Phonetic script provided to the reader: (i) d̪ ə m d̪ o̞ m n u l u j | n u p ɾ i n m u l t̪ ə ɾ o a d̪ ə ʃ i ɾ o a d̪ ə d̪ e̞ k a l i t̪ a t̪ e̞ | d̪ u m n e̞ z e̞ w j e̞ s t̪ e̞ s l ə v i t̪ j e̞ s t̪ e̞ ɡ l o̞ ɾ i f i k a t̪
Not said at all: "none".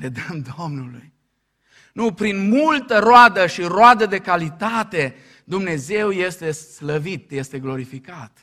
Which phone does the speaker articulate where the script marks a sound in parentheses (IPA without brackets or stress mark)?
e